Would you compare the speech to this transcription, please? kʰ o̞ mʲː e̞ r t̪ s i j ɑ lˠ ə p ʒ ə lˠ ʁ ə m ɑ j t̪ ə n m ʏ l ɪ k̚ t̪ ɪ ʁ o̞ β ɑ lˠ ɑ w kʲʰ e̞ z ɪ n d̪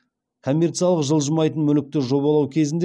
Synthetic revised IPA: kʰ o̞ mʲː e̞ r t̪ s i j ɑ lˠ ə q ʒ ə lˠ ʒ ə m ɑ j t̪ ə n m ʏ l ɪ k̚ t̪ ɪ ʒ o̞ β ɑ lˠ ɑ w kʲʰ e̞ z ɪ n d̪